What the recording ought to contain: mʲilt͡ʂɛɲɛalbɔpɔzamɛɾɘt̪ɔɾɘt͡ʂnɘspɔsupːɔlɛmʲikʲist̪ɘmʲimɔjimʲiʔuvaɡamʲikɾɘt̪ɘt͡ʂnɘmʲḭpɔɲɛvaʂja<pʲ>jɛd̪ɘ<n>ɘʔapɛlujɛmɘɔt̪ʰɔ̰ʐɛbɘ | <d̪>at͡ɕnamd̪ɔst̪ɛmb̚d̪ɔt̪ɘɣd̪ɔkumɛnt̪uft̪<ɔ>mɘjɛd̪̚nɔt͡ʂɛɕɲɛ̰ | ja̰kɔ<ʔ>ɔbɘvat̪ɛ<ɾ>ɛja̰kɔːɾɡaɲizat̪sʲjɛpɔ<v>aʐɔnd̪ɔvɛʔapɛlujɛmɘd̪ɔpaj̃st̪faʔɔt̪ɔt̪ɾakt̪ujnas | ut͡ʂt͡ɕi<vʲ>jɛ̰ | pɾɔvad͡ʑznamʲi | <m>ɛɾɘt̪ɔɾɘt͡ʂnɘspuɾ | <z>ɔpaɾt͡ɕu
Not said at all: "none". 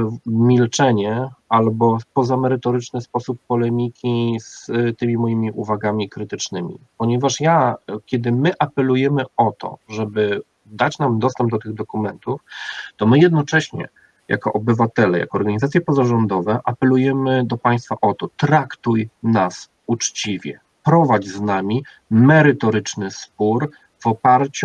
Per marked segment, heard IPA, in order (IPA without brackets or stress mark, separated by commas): kʲ, m, d̪, ɔ, ʔ, l, z, vʲ, m, v